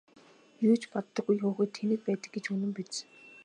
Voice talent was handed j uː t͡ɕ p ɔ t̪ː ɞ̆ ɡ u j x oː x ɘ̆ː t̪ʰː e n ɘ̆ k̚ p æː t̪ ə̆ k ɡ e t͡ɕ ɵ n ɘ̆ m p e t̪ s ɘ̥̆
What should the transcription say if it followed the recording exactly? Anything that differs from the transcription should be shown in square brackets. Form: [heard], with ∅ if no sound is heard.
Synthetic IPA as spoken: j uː t͡ɕ p ɔ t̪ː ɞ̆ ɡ u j x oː x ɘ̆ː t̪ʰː e n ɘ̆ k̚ p æː t̪ ə̆ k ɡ e t͡ɕ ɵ n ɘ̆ m p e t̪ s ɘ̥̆